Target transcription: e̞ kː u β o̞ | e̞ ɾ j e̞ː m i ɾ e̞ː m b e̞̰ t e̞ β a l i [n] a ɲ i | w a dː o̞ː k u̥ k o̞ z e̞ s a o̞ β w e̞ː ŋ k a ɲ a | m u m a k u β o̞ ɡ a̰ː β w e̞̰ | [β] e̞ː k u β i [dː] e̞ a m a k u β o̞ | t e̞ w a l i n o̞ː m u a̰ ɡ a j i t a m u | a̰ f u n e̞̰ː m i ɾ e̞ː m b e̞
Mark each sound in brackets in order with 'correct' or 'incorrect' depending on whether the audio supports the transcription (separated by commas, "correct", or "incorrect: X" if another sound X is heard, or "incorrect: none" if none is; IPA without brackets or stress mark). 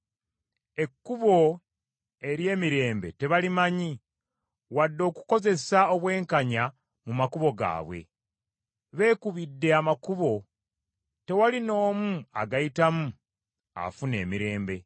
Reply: incorrect: m, correct, correct